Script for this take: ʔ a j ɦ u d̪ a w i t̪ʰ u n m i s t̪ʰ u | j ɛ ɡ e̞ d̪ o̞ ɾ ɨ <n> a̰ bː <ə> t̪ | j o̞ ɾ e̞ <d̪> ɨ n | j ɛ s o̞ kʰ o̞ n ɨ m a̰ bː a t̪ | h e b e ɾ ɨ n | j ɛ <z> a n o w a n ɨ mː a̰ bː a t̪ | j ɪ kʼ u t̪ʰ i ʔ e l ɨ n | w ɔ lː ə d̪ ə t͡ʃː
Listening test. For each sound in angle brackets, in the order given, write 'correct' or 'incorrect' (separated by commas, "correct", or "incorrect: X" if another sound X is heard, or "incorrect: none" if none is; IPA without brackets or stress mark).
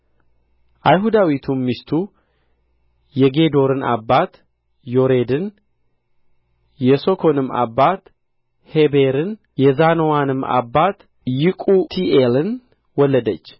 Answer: correct, incorrect: a, correct, correct